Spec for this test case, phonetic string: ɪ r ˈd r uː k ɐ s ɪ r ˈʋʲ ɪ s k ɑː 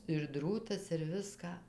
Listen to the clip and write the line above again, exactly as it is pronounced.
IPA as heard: ɪ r ˈd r uː t ɐ s ɪ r ˈʋʲ ɪ s k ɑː

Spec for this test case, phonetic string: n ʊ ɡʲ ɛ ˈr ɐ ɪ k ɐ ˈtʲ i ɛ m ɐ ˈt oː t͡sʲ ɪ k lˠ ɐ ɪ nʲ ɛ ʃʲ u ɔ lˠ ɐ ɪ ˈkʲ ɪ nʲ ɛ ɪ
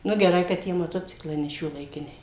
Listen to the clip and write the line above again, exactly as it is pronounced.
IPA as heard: n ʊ ɡʲ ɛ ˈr ɐ ɪ k ɐ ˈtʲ i ɛ m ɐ ˈt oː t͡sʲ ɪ k lˠ ɐ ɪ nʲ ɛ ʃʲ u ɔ lˠ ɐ ɪ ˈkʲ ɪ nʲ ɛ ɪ

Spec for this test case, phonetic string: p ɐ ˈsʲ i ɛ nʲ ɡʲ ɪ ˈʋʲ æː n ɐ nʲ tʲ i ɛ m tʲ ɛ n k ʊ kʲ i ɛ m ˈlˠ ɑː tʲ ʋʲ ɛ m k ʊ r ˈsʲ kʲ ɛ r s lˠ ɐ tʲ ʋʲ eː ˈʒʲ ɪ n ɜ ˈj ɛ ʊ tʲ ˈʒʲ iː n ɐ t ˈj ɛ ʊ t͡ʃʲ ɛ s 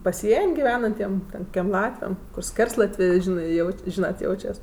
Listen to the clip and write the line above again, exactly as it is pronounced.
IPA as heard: p ɐ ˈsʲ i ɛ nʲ ɡʲ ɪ ˈʋʲ æː n ɐ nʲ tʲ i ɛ m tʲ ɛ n k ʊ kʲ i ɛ m ˈlˠ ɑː tʲ ʋʲ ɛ m k ʊ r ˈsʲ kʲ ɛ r s lˠ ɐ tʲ ʋʲ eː ˈʒʲ ɪ n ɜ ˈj ɛ ʊ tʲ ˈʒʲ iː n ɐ t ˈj ɛ ʊ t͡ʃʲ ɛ s

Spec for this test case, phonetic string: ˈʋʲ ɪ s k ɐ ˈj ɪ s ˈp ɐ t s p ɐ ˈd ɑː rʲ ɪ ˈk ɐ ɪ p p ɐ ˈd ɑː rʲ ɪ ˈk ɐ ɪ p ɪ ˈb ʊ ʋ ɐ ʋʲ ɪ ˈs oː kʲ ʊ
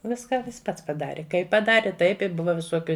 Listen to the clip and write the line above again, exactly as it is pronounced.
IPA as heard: ˈʋʲ ɪ s k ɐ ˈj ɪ s ˈp ɐ t s p ɐ ˈd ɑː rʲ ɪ ˈk ɐ ɪ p p ɐ ˈd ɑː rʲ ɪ ˈt ɐ ɪ p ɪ ˈb ʊ ʋ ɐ ʋʲ ɪ ˈs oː kʲ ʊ

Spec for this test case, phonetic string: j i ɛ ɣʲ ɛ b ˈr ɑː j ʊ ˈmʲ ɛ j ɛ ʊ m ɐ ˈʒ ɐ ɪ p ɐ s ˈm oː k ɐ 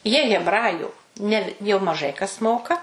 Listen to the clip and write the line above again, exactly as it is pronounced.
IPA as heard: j i ɛ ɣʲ ɛ b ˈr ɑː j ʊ ˈnʲ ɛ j ɛ ʊ m ɐ ˈʒ ɐ ɪ k ɐ s ˈm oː k ɐ

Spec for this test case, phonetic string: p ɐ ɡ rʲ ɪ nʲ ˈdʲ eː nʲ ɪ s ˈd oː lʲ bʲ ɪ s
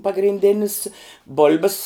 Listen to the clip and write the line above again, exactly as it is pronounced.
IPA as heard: p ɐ ɡ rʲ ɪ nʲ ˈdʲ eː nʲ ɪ s ˈb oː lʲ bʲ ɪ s

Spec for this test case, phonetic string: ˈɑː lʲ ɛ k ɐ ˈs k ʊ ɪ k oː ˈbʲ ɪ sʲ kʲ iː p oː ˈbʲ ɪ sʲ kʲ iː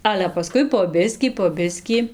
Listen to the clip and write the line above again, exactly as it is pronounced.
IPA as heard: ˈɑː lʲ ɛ p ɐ ˈs k ʊ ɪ p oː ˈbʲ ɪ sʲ kʲ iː p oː ˈbʲ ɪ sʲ kʲ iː

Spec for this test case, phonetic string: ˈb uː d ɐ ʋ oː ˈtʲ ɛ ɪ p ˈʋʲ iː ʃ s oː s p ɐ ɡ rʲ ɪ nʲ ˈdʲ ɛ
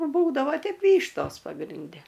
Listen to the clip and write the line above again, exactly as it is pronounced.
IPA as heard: ˈb uː d ɐ ʋ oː ˈtʲ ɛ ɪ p ˈʋʲ iː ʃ t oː s p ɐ ɡ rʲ ɪ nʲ ˈdʲ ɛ

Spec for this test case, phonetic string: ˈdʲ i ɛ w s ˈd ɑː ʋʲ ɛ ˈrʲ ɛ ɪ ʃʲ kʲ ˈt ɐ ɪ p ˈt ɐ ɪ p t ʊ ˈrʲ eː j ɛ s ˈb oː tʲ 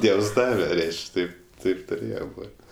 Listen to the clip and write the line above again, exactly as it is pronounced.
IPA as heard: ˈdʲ i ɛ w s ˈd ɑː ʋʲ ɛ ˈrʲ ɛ ɪ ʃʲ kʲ ˈt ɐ ɪ p ˈt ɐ ɪ p t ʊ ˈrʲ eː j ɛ ˈb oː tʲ

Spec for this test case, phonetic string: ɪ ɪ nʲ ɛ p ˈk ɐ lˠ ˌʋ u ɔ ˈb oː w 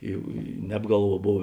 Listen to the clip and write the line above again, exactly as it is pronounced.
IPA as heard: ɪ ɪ nʲ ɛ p ˈɡ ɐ lˠ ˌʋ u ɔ ˈb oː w

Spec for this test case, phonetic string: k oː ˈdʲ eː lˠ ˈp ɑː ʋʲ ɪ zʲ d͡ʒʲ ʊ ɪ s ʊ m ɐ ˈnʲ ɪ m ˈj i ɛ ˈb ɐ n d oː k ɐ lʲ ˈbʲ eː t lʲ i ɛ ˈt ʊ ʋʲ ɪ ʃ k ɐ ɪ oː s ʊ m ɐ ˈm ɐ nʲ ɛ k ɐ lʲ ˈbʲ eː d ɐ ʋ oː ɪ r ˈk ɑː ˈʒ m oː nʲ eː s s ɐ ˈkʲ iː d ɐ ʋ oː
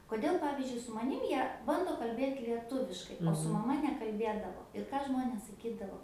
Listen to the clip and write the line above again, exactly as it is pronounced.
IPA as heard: k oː ˈdʲ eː lˠ ˈp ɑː ʋʲ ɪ zʲ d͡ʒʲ ʊ ɪ s ʊ m ɐ ˈnʲ ɪ m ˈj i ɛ ˈb ɐ n d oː k ɐ lʲ ˈbʲ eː t lʲ i ɛ ˈt ʊ ʋʲ ɪ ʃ k ɐ ɪ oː s ʊ m ɐ ˈm ɐ nʲ ɛ k ɐ lʲ ˈbʲ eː d ɐ ʋ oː ɪ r ˈk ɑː ˈʒ m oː nʲ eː s s ɐ ˈkʲ iː d ɐ ʋ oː

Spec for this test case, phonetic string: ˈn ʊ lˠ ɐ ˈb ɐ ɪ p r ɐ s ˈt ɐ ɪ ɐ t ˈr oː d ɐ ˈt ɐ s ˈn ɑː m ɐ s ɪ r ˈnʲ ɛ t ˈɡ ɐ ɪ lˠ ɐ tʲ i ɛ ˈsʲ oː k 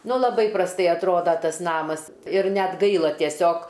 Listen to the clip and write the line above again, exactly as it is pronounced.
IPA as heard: ˈn ʊ lˠ ɐ ˈb ɐ ɪ p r ɐ s ˈt ɐ ɪ ɐ t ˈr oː d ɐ ˈt ɐ s ˈn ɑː m ɐ s ɪ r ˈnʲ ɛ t ˈɡ ɐ ɪ lˠ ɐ tʲ i ɛ ˈsʲ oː k

